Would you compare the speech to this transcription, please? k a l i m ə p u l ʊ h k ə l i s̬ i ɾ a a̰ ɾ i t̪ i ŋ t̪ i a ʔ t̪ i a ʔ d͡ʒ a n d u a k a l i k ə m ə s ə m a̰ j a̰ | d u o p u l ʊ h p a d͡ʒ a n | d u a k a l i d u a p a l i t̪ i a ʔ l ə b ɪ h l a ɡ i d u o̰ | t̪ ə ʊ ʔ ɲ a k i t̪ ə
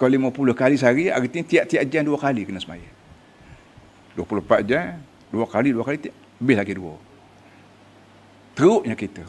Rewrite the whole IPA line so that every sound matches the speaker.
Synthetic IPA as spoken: k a l i m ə p u l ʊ h k a l i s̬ a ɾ i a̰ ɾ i t̪ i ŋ t̪ i a ʔ t̪ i a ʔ d͡ʒ a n d u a k a l i k ə n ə s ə m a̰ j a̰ | d u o p u l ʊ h p a d͡ʒ a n | d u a k a l i d u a k a l i t̪ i a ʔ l ə b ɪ h l a ɡ i d u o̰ | t̪ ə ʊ ʔ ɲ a k i t̪ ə